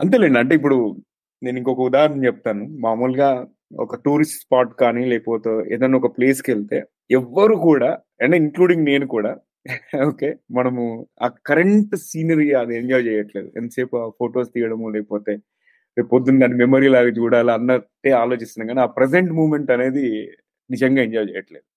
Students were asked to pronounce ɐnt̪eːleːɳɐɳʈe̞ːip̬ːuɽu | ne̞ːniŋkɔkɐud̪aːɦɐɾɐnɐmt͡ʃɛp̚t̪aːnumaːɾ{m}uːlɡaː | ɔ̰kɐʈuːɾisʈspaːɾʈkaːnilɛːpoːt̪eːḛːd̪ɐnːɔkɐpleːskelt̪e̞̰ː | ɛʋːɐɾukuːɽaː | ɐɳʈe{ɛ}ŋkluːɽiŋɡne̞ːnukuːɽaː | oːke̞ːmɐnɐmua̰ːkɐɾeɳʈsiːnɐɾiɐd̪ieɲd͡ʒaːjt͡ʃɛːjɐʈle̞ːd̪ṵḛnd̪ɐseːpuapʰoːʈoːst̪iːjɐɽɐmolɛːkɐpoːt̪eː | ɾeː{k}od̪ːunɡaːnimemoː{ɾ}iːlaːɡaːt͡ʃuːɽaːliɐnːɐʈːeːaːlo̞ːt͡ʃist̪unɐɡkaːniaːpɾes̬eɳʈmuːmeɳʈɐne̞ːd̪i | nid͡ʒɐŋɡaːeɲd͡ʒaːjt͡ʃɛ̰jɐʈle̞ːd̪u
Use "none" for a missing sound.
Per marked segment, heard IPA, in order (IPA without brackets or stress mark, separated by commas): m, i, p, ɾ